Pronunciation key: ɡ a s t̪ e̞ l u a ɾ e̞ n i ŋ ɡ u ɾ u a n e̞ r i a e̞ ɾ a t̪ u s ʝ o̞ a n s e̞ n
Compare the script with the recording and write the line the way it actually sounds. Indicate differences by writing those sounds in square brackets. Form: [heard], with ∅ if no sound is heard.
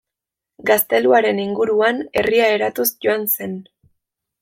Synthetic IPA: ɡ a s t̪ e̞ l u a ɾ e̞ n i ŋ ɡ u ɾ u a n e̞ r i a e̞ ɾ a t̪ u s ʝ o̞ a n s e̞ n

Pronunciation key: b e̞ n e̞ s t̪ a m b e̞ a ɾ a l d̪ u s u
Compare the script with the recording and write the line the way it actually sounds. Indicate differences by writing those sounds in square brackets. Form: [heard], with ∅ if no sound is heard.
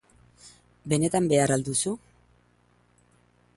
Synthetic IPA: b e̞ n e̞ [∅] t̪ a m b e̞ a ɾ a l d̪ u s u

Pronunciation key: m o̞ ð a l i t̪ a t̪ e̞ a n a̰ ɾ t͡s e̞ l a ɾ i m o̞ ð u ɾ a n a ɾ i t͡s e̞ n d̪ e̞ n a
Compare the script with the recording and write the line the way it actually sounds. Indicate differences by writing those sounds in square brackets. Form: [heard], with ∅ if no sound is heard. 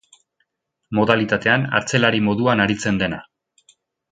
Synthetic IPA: m o̞ ð a l i t̪ a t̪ e̞ a n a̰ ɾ t͡s e̞ l a ɾ i m o̞ ð u [∅] a n a ɾ i t͡s e̞ n d̪ e̞ n a

